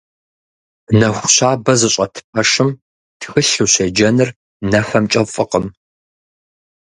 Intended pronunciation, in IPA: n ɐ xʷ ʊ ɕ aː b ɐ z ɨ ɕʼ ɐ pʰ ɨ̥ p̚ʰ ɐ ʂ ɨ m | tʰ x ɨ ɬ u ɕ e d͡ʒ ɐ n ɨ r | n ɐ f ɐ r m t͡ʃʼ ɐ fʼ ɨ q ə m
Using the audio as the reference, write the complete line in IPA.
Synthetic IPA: n ɐ xʷ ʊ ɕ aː b ɐ z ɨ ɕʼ ɐ tʰ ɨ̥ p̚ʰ ɐ ʂ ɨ m | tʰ x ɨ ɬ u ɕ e d͡ʒ ɐ n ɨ r | n ɐ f ɐ m t͡ʃʼ ɐ fʼ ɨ q ə m